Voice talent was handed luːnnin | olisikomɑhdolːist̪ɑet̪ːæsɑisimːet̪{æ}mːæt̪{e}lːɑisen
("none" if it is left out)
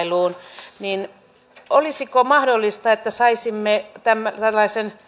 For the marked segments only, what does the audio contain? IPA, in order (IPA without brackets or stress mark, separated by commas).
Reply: æ, æ